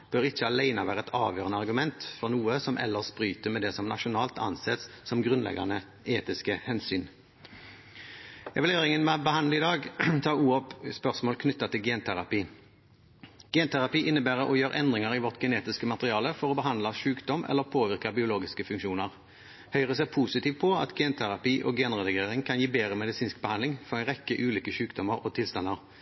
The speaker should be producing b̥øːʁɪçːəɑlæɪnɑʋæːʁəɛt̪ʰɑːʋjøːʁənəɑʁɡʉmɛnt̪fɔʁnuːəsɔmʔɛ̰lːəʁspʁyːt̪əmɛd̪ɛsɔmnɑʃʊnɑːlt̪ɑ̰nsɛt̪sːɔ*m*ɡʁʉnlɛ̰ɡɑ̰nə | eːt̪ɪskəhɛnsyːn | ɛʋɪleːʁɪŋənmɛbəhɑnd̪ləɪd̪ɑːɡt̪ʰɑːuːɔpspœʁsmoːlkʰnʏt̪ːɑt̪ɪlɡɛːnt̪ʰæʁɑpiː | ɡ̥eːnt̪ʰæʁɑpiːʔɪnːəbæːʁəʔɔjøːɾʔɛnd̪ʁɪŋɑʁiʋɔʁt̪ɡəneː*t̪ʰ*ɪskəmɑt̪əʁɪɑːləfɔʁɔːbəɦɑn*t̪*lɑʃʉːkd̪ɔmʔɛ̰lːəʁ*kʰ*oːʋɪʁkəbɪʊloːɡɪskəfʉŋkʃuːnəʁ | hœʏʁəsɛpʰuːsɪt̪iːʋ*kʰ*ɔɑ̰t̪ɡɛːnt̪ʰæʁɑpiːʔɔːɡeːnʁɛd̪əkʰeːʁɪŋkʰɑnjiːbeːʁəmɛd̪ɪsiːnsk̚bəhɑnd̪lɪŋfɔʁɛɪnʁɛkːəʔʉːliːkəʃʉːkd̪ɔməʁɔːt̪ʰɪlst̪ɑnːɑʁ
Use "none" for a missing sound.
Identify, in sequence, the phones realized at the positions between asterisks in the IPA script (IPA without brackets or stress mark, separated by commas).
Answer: m, t̪, d̪, pʰ, pʰ